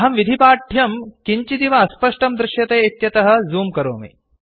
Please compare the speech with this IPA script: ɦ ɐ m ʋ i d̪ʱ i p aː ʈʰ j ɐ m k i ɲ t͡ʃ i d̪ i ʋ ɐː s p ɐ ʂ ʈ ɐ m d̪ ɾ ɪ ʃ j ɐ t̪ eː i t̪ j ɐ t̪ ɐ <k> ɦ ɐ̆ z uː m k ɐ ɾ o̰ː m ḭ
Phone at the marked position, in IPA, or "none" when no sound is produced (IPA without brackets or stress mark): none